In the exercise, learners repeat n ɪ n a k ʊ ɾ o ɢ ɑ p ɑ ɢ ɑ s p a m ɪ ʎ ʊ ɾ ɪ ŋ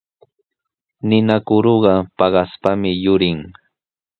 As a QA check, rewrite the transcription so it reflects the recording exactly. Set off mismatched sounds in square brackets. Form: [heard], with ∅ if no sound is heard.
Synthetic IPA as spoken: n ɪ n a k ʊ ɾ o ɢ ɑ p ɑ ɢ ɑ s p a m ɪ [j] ʊ ɾ ɪ ŋ